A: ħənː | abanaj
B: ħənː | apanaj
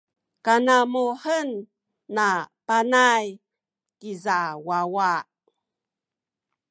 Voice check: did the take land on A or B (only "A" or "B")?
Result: B